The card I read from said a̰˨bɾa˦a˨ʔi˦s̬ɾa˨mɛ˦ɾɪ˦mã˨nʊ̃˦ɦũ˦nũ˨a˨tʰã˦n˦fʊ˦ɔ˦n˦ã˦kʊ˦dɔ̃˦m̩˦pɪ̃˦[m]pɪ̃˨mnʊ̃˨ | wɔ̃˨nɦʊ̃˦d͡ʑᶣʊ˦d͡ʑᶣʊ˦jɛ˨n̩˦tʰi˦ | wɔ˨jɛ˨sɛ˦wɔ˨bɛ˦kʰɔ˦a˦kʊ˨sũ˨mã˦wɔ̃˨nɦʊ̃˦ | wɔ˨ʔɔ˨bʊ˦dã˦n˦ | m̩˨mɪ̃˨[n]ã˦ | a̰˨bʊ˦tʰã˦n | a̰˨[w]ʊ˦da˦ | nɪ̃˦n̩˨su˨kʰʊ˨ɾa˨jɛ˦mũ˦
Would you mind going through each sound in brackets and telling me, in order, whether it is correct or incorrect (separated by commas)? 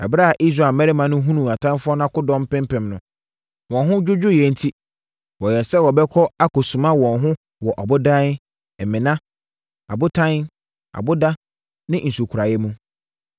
correct, correct, incorrect